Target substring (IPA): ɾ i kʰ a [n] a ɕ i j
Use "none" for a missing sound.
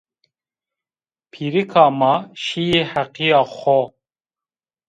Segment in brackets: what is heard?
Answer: m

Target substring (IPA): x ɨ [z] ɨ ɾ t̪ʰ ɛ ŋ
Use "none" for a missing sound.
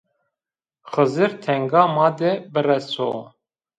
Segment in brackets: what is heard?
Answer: z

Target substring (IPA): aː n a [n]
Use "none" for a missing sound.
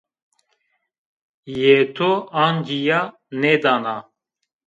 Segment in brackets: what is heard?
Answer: none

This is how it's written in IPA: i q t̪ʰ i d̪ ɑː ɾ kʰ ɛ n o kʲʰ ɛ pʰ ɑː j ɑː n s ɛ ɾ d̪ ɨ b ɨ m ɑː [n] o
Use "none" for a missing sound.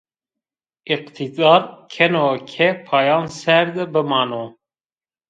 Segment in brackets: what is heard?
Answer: n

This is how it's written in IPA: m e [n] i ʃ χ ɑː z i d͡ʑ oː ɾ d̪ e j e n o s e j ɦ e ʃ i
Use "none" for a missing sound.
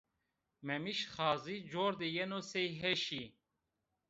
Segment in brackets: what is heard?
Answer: m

